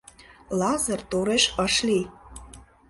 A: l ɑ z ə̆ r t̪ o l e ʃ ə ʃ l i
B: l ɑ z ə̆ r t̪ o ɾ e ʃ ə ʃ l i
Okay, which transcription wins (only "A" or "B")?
B